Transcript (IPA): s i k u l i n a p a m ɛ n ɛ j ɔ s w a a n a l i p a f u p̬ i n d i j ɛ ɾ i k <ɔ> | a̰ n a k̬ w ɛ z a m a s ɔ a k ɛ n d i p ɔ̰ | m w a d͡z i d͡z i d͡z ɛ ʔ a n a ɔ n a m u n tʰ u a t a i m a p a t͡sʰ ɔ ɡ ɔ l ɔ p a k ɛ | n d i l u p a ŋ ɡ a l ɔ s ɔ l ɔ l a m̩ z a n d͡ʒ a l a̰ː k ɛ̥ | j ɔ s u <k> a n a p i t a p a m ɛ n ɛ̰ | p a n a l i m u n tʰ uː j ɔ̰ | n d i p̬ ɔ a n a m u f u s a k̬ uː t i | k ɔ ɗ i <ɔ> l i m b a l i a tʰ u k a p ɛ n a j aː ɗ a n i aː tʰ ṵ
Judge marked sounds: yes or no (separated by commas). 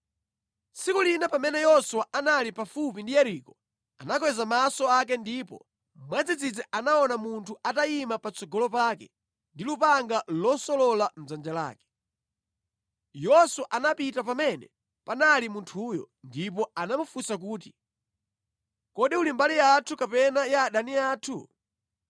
yes, no, no